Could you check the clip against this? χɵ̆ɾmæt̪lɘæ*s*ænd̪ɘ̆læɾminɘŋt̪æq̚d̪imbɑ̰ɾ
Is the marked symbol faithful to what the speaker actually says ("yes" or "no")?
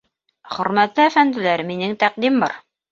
no